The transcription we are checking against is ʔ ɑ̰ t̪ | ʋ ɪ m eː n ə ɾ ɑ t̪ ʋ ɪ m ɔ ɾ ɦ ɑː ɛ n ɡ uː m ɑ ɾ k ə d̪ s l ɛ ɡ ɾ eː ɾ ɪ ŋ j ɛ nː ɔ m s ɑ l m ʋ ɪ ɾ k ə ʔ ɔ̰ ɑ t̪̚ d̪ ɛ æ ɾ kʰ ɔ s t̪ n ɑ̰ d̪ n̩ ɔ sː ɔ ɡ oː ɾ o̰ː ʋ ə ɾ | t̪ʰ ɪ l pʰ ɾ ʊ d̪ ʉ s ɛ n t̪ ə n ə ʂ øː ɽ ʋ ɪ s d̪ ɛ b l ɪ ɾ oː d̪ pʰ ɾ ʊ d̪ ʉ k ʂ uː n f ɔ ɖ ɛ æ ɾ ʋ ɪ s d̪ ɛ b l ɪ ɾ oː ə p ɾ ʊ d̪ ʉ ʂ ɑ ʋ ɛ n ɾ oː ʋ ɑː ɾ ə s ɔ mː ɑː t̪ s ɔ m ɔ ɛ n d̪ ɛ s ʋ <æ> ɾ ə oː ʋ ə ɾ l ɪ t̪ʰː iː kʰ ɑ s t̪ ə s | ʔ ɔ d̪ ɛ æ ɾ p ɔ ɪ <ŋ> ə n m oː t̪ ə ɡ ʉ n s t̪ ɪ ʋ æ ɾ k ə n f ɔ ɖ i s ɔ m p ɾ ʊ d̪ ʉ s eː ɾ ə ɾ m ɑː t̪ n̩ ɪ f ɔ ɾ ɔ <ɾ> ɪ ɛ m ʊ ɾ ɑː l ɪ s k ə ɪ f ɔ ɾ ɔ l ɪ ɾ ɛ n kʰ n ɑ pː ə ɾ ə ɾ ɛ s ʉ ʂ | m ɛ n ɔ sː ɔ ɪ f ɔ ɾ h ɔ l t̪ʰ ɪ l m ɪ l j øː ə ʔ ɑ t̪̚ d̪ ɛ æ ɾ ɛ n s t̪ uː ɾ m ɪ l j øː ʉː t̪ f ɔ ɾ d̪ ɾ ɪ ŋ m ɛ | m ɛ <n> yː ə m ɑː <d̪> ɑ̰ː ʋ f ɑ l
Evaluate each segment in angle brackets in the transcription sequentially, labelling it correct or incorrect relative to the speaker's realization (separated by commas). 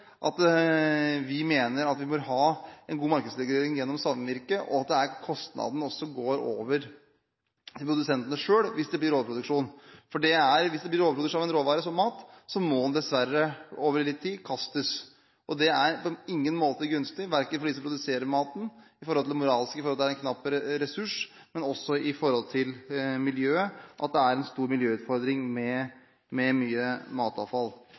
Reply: correct, incorrect, incorrect, incorrect, incorrect